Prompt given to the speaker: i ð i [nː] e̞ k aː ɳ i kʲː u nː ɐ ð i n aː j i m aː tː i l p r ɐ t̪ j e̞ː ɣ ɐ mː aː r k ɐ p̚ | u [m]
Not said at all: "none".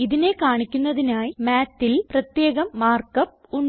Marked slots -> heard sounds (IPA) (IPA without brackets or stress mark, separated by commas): n, ɳ